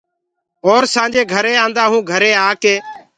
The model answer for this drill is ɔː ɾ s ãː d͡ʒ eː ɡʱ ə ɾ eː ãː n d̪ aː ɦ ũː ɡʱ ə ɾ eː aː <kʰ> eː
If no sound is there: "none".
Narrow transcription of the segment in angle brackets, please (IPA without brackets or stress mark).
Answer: k